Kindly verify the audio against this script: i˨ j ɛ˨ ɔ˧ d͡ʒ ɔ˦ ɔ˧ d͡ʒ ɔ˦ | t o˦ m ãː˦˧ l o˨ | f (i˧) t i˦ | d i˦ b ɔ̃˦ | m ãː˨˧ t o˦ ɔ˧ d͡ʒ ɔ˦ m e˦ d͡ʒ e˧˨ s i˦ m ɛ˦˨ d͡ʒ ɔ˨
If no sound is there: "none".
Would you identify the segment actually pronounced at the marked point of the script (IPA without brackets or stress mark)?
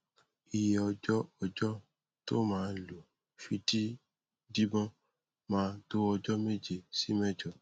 i˧